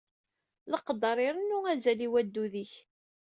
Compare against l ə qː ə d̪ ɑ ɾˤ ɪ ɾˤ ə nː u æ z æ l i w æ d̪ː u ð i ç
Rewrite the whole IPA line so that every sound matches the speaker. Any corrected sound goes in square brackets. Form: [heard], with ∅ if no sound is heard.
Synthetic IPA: l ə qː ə d̪ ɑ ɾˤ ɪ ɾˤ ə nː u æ z æ l i w æ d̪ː u ð i ç